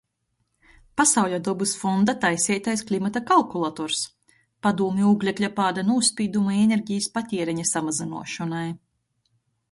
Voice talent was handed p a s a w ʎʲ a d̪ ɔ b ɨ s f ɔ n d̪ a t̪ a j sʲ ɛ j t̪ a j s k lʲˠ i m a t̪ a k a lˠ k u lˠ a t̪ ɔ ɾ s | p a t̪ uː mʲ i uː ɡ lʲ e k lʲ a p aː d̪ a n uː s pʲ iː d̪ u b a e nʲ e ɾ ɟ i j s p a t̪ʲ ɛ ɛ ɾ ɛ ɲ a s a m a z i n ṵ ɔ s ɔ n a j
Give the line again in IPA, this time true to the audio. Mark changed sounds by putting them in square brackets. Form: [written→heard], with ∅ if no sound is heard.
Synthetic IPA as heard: p a s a w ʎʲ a d̪ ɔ b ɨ s f ɔ n d̪ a t̪ a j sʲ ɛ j t̪ a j s k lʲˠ i m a t̪ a k a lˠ k u lˠ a t̪ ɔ ɾ s | p a [t̪→d̪] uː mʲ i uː ɡ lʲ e k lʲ a p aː d̪ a n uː s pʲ iː d̪ u [b→m] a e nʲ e ɾ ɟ i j s p a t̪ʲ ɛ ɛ ɾ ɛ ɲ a s a m a z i n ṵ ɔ [s→ʃ] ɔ n a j